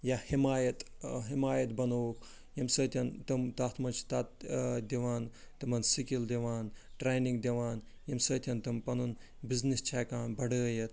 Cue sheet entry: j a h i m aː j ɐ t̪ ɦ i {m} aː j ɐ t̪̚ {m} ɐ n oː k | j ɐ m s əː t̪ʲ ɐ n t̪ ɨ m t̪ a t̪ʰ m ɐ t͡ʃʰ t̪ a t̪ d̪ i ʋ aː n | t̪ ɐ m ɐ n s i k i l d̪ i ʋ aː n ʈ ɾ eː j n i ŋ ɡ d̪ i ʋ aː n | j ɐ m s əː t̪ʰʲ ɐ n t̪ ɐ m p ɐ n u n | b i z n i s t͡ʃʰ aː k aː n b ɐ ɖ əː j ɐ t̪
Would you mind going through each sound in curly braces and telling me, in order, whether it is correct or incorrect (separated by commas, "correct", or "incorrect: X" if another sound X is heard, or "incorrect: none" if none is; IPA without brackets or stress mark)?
correct, incorrect: b